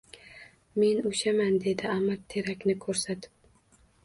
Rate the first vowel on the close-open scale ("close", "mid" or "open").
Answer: mid